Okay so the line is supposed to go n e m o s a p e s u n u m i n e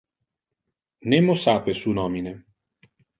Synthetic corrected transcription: n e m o s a p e s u n ɔ m i n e